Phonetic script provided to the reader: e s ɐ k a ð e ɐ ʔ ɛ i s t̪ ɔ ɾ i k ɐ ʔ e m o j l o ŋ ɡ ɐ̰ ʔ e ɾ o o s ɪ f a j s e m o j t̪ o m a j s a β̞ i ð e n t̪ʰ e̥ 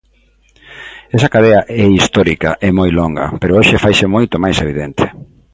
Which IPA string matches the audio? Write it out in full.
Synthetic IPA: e s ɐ k a ð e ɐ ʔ ɛ i s t̪ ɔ ɾ i k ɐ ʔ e m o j l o ŋ ɡ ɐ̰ p e ɾ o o ʃ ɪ f a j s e m o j t̪ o m a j s e β̞ i ð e n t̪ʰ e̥